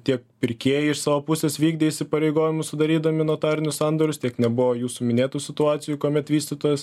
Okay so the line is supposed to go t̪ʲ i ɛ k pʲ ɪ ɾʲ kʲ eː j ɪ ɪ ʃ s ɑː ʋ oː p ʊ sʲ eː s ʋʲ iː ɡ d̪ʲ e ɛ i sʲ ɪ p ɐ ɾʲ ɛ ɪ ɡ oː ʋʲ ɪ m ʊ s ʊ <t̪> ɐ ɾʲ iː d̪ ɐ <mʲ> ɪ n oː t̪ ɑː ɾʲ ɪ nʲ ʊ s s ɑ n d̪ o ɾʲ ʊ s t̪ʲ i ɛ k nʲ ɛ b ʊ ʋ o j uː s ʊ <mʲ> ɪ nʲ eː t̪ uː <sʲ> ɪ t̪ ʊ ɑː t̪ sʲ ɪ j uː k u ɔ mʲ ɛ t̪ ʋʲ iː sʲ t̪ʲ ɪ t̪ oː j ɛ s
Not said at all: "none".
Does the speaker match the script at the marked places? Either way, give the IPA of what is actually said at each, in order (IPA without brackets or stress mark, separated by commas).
d̪, mʲ, mʲ, sʲ